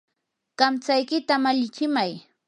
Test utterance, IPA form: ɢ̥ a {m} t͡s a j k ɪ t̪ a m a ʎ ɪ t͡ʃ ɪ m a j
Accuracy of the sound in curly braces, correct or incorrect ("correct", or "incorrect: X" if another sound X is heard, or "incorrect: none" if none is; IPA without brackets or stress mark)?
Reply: correct